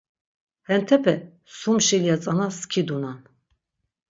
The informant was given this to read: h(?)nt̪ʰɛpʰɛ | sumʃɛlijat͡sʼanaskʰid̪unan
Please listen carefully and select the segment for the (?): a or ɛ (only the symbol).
ɛ